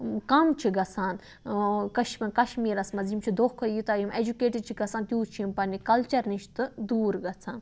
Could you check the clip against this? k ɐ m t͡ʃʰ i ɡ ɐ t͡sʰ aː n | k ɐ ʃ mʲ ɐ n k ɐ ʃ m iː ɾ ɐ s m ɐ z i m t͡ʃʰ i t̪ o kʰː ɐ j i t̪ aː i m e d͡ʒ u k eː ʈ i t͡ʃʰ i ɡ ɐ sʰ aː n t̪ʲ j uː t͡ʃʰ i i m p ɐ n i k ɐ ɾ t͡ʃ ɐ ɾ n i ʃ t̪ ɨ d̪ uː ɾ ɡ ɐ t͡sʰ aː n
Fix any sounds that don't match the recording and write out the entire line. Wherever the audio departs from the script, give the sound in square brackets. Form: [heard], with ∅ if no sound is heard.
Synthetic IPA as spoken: k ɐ m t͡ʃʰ i ɡ ɐ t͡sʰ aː n | k ɐ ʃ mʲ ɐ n k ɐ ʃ m iː ɾ ɐ s m ɐ z i m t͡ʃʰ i [d̪] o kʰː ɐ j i t̪ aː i m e d͡ʒ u k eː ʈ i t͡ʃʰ i ɡ ɐ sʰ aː n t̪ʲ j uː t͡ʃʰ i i m p ɐ n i k ɐ [l] t͡ʃ ɐ ɾ n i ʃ t̪ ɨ d̪ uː ɾ ɡ ɐ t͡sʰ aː n